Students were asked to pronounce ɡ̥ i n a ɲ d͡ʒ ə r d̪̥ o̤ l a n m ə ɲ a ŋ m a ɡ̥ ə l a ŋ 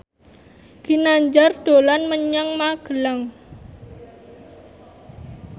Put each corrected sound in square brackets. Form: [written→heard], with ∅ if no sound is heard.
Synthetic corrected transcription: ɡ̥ i n a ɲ d͡ʒ [ə→a] r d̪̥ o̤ l a n m ə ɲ a ŋ m a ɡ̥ ə l a ŋ